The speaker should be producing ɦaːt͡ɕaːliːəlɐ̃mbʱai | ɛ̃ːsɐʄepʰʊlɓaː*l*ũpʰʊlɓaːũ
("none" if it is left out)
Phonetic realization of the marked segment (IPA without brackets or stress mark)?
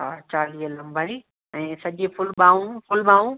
none